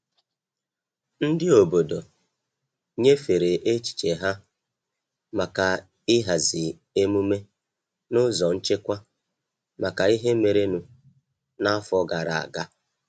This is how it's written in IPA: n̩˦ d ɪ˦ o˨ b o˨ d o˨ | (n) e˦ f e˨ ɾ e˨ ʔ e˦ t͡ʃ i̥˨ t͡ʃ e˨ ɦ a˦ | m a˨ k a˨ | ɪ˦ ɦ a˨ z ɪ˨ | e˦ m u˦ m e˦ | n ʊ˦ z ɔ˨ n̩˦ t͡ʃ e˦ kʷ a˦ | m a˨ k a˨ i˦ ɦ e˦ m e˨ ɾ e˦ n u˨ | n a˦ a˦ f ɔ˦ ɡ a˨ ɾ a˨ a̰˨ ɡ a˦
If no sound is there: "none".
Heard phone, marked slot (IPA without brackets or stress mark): ɲ